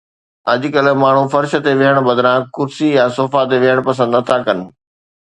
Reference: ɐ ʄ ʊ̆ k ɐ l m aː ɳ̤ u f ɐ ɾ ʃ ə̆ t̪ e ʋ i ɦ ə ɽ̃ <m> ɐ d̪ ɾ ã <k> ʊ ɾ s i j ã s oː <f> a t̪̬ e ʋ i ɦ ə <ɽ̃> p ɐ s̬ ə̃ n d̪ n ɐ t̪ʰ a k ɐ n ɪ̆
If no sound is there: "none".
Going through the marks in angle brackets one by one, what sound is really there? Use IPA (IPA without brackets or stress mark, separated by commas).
b, k, f, ɽ̃